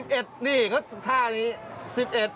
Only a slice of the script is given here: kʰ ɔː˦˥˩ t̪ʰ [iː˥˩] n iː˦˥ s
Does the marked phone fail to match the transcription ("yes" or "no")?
yes